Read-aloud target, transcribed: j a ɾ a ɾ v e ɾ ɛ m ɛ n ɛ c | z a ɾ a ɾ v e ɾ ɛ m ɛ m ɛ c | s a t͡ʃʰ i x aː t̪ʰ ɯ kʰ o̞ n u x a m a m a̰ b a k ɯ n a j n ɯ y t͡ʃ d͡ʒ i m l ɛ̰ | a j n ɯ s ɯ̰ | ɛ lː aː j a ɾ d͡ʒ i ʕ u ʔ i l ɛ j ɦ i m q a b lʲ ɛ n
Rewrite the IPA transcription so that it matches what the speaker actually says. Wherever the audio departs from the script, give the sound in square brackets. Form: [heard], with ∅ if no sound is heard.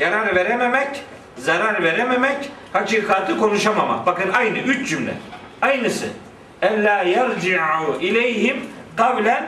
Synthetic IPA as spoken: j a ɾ a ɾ v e ɾ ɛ m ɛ [m] ɛ c | z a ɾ a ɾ v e ɾ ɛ m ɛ m ɛ c | [h] a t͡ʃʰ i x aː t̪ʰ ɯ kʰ o̞ n u [ʃ] a m a m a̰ b a k ɯ n a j n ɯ y t͡ʃ d͡ʒ [y] m l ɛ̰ | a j n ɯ s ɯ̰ | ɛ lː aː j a ɾ d͡ʒ i ʕ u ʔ i l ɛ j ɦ i m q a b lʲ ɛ n